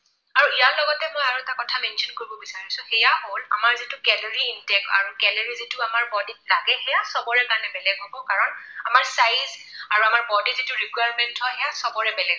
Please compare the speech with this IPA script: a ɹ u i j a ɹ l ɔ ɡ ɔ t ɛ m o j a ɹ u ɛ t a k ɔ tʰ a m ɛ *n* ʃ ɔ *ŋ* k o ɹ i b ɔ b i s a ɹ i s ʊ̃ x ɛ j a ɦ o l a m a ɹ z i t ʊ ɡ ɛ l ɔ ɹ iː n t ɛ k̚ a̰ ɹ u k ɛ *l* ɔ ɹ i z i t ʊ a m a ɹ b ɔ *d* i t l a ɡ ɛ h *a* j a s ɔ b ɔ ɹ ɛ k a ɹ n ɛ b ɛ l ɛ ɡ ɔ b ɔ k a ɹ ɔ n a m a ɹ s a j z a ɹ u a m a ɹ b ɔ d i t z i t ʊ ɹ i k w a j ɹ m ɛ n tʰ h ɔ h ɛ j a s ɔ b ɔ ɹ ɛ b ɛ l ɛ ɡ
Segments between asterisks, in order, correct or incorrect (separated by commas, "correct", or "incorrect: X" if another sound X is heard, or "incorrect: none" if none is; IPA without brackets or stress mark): correct, incorrect: n, correct, correct, incorrect: ɛ